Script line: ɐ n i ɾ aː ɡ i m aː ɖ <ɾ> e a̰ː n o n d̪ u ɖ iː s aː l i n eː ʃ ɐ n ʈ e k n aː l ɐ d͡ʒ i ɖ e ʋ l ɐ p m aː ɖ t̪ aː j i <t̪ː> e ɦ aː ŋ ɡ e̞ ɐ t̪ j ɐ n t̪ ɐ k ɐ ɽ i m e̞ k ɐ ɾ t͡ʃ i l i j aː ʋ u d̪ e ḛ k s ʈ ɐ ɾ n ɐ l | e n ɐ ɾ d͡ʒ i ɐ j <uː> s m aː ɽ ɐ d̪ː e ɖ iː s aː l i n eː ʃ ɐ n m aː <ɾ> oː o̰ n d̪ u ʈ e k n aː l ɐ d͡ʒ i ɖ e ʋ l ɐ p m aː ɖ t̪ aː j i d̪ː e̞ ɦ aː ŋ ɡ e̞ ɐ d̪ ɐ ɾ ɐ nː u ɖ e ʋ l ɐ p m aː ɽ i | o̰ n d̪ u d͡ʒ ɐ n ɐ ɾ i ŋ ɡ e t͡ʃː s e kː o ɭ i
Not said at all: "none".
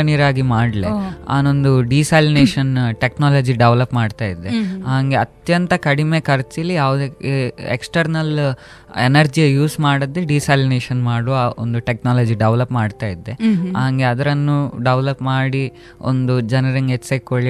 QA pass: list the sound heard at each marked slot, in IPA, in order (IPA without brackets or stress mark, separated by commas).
l, d̪ː, uː, ɽ